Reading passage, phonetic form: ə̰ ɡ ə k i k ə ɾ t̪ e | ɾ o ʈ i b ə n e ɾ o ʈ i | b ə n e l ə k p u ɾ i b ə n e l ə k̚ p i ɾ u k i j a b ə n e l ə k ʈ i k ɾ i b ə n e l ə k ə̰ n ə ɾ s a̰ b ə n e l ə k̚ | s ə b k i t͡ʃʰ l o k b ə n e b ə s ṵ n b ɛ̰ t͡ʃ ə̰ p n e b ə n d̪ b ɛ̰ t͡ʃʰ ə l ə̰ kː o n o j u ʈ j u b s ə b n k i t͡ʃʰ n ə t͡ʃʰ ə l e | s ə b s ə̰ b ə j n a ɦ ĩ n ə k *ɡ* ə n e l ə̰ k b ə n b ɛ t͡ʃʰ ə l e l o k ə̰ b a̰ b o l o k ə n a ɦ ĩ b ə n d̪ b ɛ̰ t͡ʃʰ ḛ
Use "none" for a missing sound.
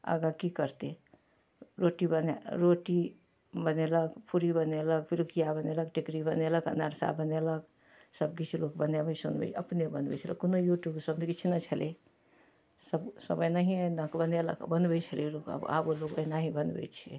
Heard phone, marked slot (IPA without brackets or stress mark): b